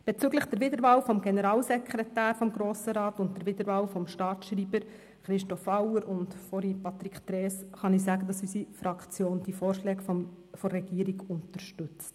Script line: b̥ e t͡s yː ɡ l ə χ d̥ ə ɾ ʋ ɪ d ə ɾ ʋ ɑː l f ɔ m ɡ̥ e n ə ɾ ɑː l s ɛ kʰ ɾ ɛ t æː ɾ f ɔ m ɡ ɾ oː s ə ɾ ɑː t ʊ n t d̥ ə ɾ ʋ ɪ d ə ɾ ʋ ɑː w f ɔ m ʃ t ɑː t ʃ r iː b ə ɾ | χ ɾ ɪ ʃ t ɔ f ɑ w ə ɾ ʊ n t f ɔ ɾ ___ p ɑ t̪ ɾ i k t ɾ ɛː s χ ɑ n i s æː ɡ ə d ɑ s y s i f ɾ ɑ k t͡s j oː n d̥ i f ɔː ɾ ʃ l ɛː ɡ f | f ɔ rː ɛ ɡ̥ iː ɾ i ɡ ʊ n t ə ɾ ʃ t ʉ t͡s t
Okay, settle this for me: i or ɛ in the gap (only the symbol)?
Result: i